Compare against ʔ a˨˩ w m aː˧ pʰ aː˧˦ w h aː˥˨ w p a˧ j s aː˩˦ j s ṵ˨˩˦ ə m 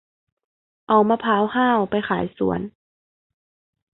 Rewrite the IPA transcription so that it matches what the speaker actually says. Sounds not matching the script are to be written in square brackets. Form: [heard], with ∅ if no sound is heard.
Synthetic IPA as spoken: ʔ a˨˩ w m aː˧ pʰ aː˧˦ w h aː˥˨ w p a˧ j [x] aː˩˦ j s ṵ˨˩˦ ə [n]